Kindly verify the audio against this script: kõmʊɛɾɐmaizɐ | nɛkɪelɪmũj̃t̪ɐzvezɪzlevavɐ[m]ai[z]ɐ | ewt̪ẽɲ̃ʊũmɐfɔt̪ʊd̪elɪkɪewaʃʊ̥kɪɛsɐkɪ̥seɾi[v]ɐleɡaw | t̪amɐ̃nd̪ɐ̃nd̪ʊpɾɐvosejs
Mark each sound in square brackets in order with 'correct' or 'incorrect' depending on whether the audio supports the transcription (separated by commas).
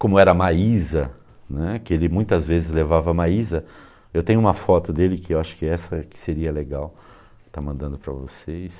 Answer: correct, correct, incorrect